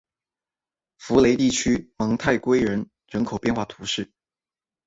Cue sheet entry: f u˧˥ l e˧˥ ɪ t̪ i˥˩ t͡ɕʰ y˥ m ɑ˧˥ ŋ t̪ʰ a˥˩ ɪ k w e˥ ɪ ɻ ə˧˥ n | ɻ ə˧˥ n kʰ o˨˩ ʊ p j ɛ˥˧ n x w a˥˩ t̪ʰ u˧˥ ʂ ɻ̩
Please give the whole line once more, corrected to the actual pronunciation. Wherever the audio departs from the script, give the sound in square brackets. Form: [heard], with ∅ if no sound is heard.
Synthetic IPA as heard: f u˧˥ l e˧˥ ɪ t̪ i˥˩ t͡ɕʰ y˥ m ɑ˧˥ ŋ t̪ʰ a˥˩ ɪ k w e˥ ɪ ɻ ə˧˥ n | ɻ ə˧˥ n kʰ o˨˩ ʊ p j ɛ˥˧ n x w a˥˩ t̪ʰ u˧˥ ʂ ɻ̩